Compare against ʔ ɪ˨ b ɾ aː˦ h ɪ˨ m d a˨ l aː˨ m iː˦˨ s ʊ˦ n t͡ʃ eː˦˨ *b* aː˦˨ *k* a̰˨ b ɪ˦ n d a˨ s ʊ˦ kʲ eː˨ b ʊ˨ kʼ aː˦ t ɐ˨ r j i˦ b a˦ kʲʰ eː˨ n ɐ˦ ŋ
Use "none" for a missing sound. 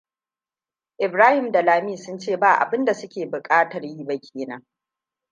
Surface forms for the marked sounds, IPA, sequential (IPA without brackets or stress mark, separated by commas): b, ʔ